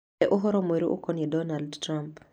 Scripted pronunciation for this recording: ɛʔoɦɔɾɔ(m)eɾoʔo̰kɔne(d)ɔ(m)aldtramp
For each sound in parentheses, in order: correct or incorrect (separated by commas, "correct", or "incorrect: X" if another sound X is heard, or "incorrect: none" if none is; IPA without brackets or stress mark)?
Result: correct, correct, incorrect: n